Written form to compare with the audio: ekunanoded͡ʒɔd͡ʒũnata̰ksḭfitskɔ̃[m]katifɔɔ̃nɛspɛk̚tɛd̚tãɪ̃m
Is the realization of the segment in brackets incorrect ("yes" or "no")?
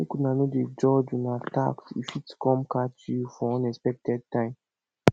no